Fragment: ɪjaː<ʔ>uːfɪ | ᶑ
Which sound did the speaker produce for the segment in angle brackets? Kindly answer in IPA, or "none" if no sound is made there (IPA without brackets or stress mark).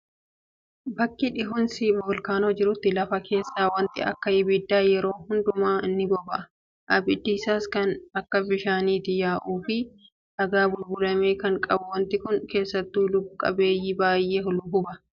ʔ